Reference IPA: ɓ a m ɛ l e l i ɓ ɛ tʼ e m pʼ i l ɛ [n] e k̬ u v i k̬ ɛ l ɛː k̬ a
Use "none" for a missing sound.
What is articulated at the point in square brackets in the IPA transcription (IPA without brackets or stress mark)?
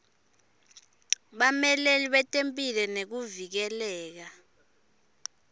n